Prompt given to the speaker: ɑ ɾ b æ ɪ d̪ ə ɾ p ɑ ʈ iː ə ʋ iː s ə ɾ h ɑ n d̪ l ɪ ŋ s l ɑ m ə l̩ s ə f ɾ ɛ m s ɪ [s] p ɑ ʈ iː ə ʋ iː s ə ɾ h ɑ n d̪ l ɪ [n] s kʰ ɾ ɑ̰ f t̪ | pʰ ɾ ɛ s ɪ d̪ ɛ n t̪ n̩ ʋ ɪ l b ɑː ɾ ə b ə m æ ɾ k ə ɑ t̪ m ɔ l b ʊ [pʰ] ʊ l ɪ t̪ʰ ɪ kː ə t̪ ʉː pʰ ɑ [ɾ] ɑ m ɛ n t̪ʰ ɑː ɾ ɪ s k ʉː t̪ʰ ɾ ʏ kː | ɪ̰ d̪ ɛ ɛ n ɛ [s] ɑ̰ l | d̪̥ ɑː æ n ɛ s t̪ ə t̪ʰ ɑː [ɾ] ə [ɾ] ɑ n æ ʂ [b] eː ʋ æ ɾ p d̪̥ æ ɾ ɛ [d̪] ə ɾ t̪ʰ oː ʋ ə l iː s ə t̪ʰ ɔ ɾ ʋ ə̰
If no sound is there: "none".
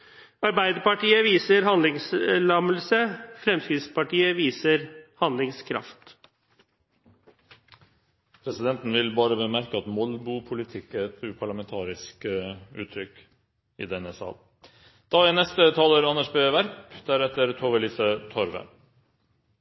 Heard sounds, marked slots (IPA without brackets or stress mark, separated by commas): s, ŋ, pʰ, ɭ, s, l, ɾ, b, t̪